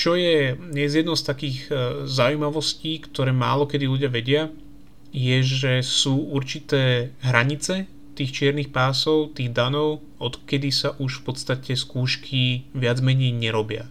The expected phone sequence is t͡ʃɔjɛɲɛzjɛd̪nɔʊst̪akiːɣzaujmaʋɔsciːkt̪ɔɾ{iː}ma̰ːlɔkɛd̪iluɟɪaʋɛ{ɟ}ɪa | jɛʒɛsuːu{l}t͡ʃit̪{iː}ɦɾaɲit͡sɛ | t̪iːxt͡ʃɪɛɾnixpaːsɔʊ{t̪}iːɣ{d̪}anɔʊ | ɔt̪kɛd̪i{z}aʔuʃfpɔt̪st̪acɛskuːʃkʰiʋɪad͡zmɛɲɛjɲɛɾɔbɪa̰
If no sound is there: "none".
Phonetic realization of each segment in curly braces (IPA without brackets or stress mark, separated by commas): ɛː, ɟ, ɾ, ɛː, t̪, d̪, s